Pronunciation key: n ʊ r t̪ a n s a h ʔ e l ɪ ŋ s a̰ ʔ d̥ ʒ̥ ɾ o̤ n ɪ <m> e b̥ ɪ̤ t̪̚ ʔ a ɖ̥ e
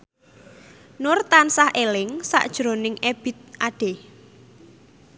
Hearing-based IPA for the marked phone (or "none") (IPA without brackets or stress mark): ŋ